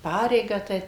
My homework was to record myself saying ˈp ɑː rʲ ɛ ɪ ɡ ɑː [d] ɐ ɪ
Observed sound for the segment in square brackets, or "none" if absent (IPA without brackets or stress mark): t